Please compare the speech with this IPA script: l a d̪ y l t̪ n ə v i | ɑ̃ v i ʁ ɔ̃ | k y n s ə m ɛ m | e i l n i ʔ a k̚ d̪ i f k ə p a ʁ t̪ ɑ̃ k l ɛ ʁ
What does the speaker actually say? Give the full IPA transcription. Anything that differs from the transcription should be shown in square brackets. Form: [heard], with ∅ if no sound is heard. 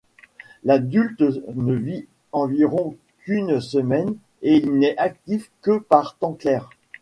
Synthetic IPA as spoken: l a d̪ y l t̪ n ə v i | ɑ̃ v i ʁ ɔ̃ | k y n s ə m ɛ [n] | e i l n [ɛ] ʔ a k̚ [t̪] i f k ə p a ʁ t̪ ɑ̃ k l ɛ ʁ

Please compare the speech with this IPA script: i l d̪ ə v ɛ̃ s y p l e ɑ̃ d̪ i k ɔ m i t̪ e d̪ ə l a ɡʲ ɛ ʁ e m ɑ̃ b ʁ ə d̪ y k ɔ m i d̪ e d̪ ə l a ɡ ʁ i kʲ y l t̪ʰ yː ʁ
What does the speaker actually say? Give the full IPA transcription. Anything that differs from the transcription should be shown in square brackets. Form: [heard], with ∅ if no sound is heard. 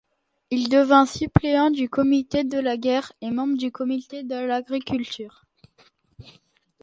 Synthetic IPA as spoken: i l d̪ ə v ɛ̃ s y p l e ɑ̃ d̪ [y] k ɔ m i t̪ e d̪ ə l a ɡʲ ɛ ʁ e m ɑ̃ b ʁ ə d̪ y k ɔ m i [t̪] e d̪ ə l a ɡ ʁ i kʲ y l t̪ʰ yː ʁ

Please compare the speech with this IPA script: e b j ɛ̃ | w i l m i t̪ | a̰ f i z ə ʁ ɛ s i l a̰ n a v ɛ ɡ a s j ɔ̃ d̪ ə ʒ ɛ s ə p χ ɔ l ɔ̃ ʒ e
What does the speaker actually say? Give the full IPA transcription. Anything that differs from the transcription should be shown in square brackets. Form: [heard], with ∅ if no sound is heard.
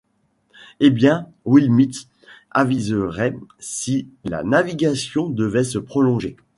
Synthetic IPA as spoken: e b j ɛ̃ | w i l m i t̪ | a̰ [v] i z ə ʁ ɛ s i l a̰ n a v [i] ɡ a s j ɔ̃ d̪ ə [v] ɛ s ə p χ ɔ l ɔ̃ ʒ e

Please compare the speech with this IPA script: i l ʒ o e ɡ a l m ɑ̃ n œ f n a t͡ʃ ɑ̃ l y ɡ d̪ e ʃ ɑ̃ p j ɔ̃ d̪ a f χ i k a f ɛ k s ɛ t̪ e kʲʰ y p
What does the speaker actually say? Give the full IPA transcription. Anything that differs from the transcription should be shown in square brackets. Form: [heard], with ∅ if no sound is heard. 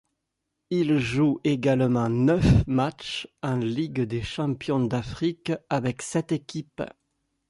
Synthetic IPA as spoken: i l ʒ [u] e ɡ a l m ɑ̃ n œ f [m] a t͡ʃ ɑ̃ l [i] ɡ d̪ e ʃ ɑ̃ p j ɔ̃ d̪ a f χ i k a [v] ɛ k s ɛ t̪ e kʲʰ [i] p

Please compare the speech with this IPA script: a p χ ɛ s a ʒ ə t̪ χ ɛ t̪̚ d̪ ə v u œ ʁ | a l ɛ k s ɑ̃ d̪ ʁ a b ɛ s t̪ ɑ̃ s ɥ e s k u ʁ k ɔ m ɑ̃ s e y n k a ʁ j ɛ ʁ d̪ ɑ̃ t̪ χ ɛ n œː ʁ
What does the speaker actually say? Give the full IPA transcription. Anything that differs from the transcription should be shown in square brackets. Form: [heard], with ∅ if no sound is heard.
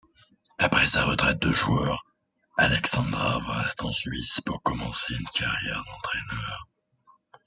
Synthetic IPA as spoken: a p χ ɛ s a [ʁ] ə t̪ χ ɛ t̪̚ d̪ ə [ʒ] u œ ʁ | a l ɛ k s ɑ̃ d̪ ʁ a [v] ɛ s t̪ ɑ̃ s ɥ [i] s [p] u ʁ k ɔ m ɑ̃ s e y n k a ʁ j ɛ ʁ d̪ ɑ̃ t̪ χ ɛ n œː ʁ

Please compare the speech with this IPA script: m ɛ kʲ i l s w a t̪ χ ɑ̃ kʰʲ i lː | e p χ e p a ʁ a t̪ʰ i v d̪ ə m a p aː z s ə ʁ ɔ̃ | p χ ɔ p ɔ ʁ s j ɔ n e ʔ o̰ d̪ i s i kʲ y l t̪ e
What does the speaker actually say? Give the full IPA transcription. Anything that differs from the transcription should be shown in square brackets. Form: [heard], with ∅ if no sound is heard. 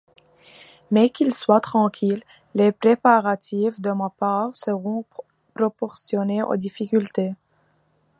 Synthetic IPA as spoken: m ɛ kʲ i l s w a t̪ χ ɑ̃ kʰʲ i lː | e p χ e p a ʁ a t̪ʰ i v d̪ ə m a p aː [ʁ] s ə ʁ ɔ̃ | p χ ɔ p ɔ ʁ s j ɔ n e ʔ o̰ d̪ i [f] i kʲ y l t̪ e

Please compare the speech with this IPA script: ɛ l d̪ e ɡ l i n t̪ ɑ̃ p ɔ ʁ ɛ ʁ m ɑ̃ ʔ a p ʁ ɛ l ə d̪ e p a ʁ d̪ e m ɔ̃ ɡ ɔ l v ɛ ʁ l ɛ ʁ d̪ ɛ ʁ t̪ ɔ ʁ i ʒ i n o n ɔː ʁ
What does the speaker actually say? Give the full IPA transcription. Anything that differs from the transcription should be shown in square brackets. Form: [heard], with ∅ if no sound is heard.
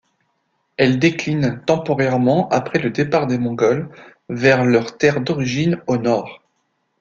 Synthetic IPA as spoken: ɛ l d̪ e [k] l i n t̪ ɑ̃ p ɔ ʁ ɛ ʁ m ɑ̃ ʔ a p [χ] ɛ l ə d̪ e p a ʁ d̪ e m ɔ̃ ɡ ɔ l v ɛ ʁ l [œ] ʁ [t̪] ɛ ʁ [d̪] ɔ ʁ i ʒ i n o n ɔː ʁ

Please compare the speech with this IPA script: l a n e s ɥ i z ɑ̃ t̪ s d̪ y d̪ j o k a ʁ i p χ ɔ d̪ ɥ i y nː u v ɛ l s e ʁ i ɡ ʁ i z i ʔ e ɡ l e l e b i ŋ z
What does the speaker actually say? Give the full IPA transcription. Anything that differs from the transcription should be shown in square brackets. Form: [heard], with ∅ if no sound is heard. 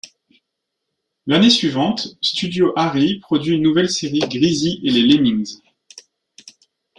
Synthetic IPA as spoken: l a n e s ɥ i [v] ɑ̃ t̪ s [t̪] y d̪ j o [ʔ] a ʁ i p χ ɔ d̪ ɥ i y nː u v ɛ l s e ʁ i ɡ ʁ i z i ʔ e [∅] l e l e [m] i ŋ z

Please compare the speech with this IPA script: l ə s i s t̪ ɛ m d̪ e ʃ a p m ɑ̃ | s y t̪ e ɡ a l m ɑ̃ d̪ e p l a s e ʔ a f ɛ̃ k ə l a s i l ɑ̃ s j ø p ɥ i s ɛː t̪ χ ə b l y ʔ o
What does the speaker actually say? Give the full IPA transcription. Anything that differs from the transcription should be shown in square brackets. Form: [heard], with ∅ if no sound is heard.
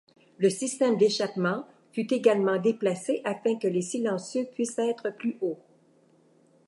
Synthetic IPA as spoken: l ə s i s t̪ ɛ m d̪ e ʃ a p m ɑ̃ | [f] y t̪ e ɡ a l m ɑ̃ d̪ e p l a s e ʔ a f ɛ̃ k ə l [e] s i l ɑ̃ s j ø p ɥ i s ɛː t̪ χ ə [p] l y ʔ o

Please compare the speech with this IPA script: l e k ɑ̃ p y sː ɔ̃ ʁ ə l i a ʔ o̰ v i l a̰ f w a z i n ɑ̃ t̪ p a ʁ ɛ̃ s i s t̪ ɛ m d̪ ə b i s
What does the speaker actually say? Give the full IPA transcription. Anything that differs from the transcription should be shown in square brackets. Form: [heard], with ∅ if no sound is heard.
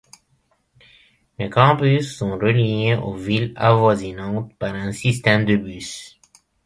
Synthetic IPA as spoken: l e k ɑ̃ p y sː ɔ̃ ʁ ə l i [e] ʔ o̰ v i l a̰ [v] w a z i n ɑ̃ t̪ p a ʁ ɛ̃ s i s t̪ ɛ m d̪ ə b [y] s

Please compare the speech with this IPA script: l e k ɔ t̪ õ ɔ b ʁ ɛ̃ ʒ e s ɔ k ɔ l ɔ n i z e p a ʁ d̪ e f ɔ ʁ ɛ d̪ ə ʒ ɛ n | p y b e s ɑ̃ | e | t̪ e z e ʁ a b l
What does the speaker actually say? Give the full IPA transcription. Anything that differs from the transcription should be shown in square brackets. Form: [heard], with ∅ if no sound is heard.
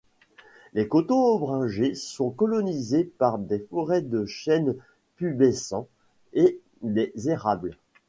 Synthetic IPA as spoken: l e k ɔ t̪ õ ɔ b ʁ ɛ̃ ʒ e s [ɔ̃] k ɔ l ɔ n i z e p a ʁ d̪ e f ɔ ʁ ɛ d̪ ə [ʃ] ɛ n | p y b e s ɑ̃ | e | [d̪] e z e ʁ a b l

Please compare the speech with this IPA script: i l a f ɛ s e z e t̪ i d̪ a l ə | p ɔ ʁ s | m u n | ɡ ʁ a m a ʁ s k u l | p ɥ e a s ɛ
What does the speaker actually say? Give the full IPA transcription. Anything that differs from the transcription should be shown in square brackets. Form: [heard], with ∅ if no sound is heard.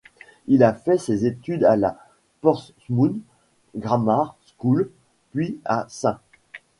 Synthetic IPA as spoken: i l a f ɛ s e z e t̪ [y] d̪ a l [a] | p ɔ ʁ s | m u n | ɡ ʁ a m a ʁ s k u l | p ɥ [i] a s [ɛ̃]

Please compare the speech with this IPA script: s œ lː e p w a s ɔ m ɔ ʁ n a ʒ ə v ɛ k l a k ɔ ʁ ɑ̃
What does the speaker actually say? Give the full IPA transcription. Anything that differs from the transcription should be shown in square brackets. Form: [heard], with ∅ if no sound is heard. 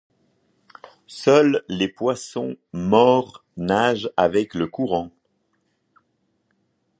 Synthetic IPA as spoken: s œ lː e p w a s [ɔ̃] m ɔ ʁ n a ʒ [a] v ɛ k l [ə] k [u] ʁ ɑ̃

